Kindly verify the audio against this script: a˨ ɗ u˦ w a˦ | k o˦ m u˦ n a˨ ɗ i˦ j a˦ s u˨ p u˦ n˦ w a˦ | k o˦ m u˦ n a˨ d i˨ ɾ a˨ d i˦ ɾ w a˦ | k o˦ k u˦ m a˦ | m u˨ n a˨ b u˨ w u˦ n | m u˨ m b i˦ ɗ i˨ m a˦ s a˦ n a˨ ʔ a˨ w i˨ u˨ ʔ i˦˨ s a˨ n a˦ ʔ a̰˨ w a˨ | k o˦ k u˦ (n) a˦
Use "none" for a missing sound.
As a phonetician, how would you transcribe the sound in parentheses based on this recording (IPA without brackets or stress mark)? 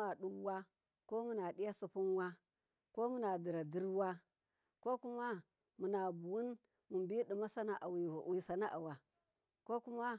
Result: m